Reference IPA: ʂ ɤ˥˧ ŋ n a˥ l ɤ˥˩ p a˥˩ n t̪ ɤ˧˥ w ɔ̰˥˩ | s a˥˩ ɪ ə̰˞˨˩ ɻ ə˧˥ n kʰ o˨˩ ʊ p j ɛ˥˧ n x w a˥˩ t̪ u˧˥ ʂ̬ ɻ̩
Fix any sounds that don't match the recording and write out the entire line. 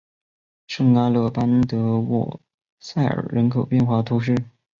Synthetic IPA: ʂ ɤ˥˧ ŋ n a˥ l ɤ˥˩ p a˥ n t̪ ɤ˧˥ w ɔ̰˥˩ | s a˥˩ ɪ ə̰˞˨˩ ɻ ə˧˥ n kʰ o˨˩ ʊ p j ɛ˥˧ n x w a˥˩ t̪ʰ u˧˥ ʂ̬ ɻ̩